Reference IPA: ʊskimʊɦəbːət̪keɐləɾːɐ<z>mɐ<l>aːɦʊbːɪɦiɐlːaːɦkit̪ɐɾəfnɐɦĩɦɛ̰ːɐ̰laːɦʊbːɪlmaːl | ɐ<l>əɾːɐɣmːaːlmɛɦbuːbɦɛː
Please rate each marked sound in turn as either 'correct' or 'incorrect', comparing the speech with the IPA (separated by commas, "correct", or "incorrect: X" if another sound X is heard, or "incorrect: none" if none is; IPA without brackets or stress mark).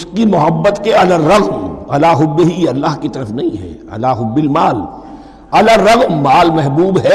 incorrect: ɣ, correct, correct